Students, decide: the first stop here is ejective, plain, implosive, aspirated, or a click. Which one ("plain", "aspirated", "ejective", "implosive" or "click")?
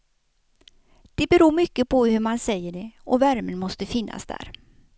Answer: plain